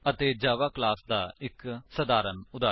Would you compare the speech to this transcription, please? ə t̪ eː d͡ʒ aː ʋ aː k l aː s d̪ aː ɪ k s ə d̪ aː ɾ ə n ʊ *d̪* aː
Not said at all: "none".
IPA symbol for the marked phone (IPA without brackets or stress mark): d̪